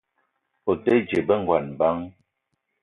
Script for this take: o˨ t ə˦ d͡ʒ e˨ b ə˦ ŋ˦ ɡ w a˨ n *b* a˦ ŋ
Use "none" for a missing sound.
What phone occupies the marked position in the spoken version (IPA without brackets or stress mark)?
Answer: b